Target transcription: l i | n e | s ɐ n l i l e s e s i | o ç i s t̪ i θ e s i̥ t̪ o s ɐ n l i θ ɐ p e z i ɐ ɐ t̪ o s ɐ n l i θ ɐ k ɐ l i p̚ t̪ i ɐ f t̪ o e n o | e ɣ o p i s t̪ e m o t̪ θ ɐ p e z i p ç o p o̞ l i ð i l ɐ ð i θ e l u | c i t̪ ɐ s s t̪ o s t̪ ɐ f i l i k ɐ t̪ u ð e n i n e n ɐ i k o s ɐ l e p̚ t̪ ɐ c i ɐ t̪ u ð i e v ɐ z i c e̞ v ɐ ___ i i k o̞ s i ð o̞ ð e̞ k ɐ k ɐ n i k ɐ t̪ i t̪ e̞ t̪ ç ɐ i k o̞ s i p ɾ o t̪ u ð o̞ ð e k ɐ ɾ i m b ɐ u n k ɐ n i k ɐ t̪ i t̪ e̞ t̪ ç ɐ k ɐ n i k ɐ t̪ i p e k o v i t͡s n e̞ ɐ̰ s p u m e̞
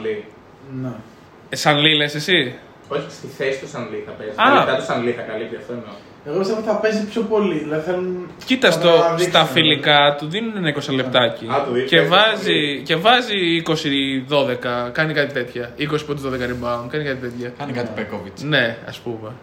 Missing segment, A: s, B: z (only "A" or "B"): B